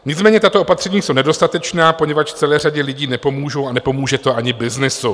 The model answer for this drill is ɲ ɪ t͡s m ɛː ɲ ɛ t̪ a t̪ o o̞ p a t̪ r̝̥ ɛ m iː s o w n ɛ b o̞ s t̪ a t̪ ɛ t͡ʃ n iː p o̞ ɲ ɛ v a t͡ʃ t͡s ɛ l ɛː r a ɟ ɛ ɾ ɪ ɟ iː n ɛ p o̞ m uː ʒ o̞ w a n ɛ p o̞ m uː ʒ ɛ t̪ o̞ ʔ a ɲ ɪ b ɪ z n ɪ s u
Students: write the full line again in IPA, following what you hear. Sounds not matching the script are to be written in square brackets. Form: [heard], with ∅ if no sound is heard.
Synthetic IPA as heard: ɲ ɪ t͡s m ɛː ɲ ɛ t̪ a t̪ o o̞ p a t̪ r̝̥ ɛ [ɲ] iː s o w n ɛ [d] o̞ s t̪ a t̪ ɛ t͡ʃ n [aː] p o̞ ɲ ɛ v a t͡ʃ t͡s ɛ l ɛː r a ɟ ɛ [l] ɪ ɟ iː n ɛ p o̞ m uː ʒ o̞ w a n ɛ p o̞ m uː ʒ ɛ t̪ o̞ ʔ a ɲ ɪ b ɪ z n ɪ s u